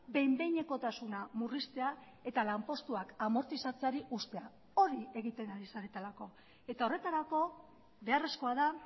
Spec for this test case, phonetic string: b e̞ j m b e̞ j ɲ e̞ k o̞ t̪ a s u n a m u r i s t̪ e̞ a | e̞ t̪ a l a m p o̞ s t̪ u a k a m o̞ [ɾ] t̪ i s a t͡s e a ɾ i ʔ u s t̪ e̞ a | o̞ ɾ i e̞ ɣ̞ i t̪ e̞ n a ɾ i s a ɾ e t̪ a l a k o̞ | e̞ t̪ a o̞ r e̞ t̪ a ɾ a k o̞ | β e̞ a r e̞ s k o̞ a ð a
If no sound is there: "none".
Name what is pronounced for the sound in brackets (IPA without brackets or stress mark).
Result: ɾ